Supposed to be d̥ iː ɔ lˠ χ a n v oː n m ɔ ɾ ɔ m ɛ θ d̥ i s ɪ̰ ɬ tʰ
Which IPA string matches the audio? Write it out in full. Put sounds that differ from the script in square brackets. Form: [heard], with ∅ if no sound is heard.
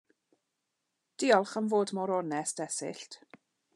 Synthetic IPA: d̥ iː ɔ lˠ χ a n v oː [d] m ɔ ɾ ɔ [n] ɛ [s] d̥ [ɛ] s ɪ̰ ɬ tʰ